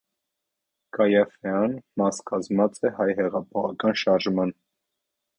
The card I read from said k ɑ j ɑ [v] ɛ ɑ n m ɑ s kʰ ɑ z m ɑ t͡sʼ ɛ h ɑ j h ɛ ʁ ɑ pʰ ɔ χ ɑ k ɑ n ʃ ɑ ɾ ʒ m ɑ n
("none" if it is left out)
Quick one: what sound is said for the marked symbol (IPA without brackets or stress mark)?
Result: f